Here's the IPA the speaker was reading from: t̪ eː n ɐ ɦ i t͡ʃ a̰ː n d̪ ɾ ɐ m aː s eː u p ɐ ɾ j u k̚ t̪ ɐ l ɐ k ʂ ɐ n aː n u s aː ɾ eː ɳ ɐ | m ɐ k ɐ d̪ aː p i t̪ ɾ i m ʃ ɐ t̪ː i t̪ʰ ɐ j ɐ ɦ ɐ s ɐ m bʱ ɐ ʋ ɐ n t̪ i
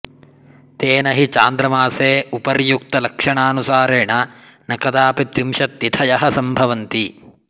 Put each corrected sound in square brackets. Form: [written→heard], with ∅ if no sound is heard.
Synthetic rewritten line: t̪ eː n ɐ ɦ i t͡ʃ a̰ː n d̪ ɾ ɐ m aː s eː u p ɐ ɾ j u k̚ t̪ ɐ l ɐ k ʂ ɐ [n→ɳ] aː n u s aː ɾ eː ɳ ɐ | [m→n] ɐ k ɐ d̪ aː p i t̪ ɾ i m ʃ ɐ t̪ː i t̪ʰ ɐ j ɐ ɦ ɐ s ɐ m bʱ ɐ ʋ ɐ n t̪ i